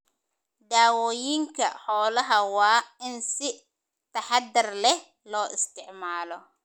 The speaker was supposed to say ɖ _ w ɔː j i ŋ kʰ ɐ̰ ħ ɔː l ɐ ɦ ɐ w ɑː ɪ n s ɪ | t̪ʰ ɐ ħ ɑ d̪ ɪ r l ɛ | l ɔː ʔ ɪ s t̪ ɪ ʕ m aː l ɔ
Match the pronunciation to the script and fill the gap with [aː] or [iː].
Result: aː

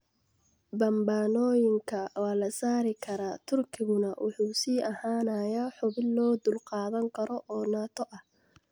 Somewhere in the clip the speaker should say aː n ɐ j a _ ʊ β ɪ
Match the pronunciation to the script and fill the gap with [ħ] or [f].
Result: ħ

